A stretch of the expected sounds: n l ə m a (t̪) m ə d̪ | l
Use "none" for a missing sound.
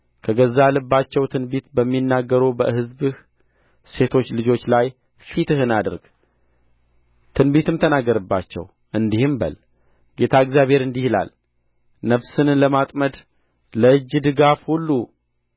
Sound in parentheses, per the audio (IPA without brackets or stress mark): t̪ʼ